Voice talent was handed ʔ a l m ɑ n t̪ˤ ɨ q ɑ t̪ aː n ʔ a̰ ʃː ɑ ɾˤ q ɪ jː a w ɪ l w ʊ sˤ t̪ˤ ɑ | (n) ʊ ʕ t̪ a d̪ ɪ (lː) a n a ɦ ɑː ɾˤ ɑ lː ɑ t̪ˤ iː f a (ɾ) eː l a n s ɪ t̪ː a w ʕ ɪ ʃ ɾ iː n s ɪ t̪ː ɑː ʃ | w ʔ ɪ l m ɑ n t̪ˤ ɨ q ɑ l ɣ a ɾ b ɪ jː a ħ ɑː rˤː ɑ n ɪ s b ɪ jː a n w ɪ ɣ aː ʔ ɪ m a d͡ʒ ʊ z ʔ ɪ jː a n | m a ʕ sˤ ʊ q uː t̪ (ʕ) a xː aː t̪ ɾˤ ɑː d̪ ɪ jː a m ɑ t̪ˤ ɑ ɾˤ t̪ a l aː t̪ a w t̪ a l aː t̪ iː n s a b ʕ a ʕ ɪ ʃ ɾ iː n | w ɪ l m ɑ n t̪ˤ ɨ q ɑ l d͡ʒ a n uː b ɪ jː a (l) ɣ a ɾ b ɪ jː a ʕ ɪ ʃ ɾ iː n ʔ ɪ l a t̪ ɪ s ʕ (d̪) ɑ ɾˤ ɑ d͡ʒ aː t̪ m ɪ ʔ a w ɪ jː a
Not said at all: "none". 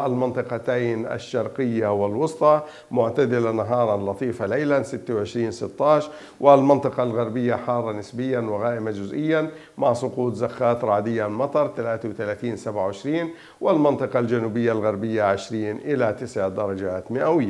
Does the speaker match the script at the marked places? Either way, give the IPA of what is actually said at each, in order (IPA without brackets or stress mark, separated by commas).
m, l, l, z, l, d̪